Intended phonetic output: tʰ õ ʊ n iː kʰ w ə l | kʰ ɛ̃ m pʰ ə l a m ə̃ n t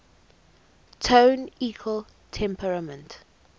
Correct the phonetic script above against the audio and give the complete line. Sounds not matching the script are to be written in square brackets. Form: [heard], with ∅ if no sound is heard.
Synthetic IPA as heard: tʰ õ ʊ n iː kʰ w ə l | [tʰ] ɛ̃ m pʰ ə [ɹ] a m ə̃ n t